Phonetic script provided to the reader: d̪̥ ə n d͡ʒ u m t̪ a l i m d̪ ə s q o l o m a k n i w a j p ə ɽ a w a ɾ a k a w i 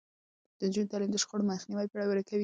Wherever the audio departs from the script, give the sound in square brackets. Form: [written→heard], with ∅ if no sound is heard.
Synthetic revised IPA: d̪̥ ə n d͡ʒ u [m→n] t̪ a l i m d̪ ə [s→ʃ] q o [l→ɽ] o m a [k→x] n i w a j p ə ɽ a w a ɾ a k a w i